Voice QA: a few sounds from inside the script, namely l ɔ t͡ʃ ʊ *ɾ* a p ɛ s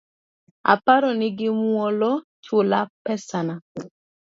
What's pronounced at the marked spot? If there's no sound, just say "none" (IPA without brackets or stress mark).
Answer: l